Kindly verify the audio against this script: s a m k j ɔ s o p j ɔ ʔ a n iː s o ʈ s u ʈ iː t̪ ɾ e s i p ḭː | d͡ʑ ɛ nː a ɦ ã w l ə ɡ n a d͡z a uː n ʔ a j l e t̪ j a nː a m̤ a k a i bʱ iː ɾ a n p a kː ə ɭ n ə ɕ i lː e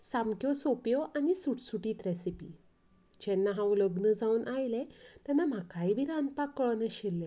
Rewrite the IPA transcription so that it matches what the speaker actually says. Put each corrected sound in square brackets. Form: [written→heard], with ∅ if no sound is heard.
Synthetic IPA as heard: s a m k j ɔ s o p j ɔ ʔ a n [iː→i] s [o→u] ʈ s u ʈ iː t̪ ɾ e s i p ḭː | d͡ʑ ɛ nː a ɦ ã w l ə ɡ n [a→ə] d͡z a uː n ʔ a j l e t̪ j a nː a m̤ a k a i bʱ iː ɾ a n p a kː ə ɭ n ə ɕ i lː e